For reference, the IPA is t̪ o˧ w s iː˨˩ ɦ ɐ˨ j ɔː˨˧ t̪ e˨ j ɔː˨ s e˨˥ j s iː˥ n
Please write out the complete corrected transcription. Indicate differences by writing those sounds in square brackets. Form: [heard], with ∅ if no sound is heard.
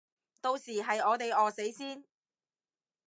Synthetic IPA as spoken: t̪ o˧ w s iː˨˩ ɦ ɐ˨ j ɔː˨˧ t̪ e˨ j ɔː˨ s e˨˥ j s iː˥ n